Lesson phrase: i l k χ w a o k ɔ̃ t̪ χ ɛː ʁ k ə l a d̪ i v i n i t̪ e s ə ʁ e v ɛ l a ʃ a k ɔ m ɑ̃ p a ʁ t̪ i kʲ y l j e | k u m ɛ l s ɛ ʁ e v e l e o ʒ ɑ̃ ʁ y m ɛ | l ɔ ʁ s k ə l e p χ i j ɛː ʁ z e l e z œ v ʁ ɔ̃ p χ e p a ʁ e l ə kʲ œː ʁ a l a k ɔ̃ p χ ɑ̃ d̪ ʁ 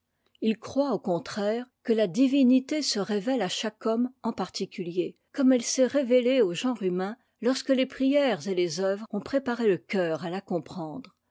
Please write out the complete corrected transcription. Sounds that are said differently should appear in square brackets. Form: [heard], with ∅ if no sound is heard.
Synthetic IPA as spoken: i l k χ w a o k ɔ̃ t̪ χ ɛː ʁ k ə l a d̪ i v i n i t̪ e s ə ʁ e v ɛ l a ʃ a k ɔ m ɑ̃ p a ʁ t̪ i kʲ y l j e | k [ɔ] m ɛ l s ɛ ʁ e v e l e o ʒ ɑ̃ ʁ y m [ɛ̃] | l ɔ ʁ s k ə l e p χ i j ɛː ʁ z e l e z œ v ʁ ɔ̃ p χ e p a ʁ e l ə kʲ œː ʁ a l a k ɔ̃ p χ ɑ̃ d̪ ʁ